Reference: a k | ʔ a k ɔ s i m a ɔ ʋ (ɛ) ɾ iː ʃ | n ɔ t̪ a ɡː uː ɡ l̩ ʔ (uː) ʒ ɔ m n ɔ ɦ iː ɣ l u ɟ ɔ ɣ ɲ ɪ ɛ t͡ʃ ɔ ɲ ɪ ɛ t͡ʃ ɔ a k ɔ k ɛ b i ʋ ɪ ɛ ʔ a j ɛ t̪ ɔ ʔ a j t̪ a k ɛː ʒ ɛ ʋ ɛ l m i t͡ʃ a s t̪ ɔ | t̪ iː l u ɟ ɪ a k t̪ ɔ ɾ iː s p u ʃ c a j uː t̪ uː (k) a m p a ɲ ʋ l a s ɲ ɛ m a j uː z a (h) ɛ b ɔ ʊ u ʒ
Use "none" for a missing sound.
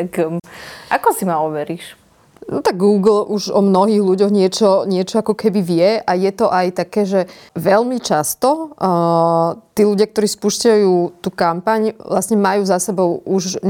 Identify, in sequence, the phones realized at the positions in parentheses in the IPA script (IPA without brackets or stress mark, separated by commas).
ɛ, u, k, s